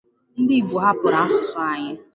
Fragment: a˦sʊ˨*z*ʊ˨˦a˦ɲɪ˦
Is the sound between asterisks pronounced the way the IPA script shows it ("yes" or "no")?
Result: no